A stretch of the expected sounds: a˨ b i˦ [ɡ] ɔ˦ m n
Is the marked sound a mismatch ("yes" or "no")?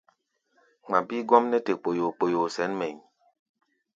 no